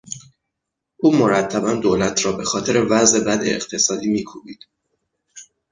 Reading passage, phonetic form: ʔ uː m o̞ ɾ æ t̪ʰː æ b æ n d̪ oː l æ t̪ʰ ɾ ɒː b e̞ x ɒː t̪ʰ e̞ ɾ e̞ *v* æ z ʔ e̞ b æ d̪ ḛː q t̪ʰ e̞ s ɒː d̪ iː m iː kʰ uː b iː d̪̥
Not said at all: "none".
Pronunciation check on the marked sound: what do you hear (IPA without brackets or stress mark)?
v